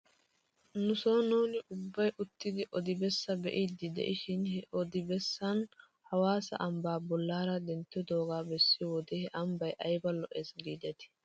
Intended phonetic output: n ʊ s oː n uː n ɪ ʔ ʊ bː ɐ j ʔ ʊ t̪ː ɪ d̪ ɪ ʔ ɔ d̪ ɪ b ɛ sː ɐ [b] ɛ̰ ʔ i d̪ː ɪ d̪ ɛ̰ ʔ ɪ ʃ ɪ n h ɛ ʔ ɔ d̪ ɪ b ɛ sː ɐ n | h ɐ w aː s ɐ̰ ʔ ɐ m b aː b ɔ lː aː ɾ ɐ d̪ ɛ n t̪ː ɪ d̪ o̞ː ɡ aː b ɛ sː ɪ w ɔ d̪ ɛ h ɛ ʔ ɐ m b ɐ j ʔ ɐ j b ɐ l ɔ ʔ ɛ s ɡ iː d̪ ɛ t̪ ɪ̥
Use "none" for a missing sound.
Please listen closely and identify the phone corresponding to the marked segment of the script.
b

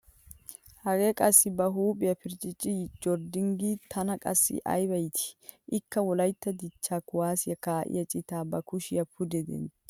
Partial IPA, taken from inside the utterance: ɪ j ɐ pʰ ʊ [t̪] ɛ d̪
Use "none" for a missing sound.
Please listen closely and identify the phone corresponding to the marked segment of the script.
d̪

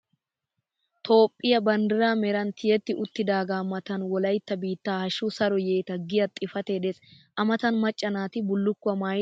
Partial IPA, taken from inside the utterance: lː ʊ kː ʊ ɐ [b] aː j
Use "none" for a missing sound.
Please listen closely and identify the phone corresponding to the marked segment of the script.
m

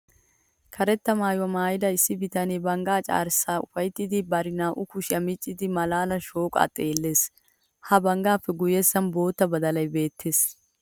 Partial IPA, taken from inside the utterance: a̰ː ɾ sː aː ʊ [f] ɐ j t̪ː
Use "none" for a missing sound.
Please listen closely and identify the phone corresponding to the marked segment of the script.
f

